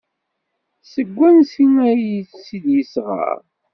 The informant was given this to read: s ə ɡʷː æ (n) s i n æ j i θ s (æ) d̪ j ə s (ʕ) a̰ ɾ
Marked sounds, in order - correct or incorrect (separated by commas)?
correct, incorrect, incorrect